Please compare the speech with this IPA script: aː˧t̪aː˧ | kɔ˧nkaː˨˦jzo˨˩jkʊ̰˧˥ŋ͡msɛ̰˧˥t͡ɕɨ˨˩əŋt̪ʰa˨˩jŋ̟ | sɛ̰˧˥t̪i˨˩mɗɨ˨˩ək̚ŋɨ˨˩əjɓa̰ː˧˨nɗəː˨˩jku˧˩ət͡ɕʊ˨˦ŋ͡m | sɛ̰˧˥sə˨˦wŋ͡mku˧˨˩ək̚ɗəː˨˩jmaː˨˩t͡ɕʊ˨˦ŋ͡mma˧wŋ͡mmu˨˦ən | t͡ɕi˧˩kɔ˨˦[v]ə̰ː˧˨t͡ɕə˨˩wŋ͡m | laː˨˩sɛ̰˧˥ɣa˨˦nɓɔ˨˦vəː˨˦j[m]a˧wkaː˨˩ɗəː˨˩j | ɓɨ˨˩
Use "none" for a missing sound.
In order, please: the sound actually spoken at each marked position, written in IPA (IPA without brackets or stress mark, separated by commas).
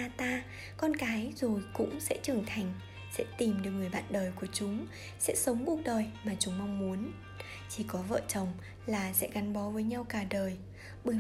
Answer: v, ɲ